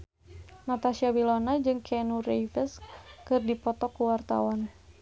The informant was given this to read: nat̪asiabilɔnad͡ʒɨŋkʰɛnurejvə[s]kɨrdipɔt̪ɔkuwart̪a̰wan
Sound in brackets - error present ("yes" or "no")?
no